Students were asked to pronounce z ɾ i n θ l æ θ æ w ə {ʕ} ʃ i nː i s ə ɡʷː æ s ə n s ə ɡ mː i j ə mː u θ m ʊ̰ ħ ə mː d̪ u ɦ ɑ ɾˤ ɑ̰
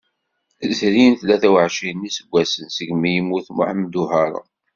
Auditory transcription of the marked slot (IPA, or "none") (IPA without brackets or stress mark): ʕ